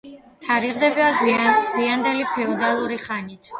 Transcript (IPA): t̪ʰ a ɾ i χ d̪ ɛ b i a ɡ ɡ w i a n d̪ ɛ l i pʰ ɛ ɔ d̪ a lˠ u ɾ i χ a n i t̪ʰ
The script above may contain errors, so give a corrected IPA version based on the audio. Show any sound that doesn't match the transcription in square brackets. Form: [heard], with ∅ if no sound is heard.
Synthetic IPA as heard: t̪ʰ a ɾ i [ʁ] d̪ ɛ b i a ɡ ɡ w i a n d̪ ɛ l i pʰ ɛ ɔ d̪ a lˠ u ɾ i χ a n i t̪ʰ